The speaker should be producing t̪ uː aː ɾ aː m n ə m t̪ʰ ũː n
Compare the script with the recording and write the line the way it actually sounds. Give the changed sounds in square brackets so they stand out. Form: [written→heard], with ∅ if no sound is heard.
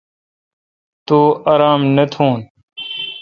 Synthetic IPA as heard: t̪ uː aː ɾ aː m n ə [m→∅] t̪ʰ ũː n